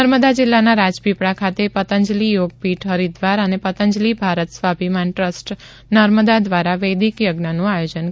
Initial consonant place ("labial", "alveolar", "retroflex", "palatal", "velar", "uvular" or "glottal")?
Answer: alveolar